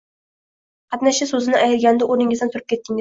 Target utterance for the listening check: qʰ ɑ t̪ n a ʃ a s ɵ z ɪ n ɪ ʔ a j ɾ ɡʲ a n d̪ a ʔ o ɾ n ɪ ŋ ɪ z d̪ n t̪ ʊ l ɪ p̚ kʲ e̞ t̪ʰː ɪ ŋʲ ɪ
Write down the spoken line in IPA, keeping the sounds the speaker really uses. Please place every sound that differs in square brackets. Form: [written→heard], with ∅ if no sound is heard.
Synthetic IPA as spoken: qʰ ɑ t̪ n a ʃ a s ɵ z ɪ n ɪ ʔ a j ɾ ɡʲ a n d̪ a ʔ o ɾ n ɪ ŋ ɪ z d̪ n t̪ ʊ [l→ɾ] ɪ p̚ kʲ e̞ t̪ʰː ɪ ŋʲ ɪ